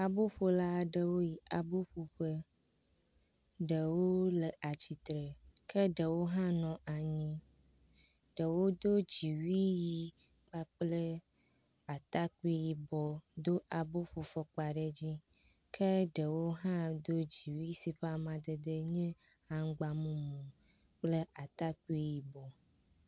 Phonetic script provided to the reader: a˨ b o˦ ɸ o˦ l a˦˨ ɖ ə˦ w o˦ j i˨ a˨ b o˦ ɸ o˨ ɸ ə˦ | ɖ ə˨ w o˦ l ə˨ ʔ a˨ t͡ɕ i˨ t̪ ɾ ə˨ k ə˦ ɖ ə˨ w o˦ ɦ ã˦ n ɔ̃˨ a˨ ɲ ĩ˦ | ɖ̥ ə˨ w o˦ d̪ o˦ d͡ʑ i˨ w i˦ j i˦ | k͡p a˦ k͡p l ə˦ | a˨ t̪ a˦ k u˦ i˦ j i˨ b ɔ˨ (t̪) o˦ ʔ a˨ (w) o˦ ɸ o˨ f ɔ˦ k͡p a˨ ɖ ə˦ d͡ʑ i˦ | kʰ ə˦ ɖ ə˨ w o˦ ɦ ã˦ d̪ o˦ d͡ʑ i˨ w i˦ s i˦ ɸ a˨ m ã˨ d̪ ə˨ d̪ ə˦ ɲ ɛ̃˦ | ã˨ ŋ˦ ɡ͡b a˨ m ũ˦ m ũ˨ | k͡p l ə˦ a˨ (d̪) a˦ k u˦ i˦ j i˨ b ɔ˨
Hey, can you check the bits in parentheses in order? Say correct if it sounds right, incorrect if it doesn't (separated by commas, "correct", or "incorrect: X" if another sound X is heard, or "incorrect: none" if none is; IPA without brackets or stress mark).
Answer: incorrect: d̪, incorrect: b, incorrect: t̪